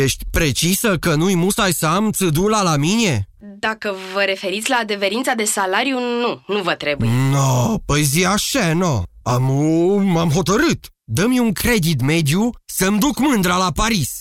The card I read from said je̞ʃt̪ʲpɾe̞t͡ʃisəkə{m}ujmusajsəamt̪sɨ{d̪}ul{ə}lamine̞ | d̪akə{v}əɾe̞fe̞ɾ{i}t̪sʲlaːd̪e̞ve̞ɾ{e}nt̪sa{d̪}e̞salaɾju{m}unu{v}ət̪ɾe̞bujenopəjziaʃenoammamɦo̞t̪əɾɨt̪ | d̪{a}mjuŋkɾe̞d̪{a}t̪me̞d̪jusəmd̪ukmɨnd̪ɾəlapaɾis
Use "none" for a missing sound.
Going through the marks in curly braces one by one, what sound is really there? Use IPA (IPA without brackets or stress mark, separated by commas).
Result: n, d̪, a, v, i, i, d̪, n, v, ə, i